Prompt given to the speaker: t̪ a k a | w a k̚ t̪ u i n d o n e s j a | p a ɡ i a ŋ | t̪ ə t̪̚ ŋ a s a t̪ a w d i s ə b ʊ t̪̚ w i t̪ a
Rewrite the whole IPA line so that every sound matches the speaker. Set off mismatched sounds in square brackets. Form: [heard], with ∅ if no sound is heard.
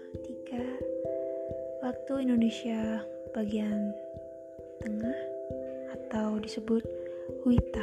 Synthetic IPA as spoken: t̪ [i] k a | w a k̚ t̪ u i n d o n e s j a | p a ɡ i a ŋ | t̪ ə [∅] ŋ a [h] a t̪ a w d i s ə b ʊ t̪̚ w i t̪ a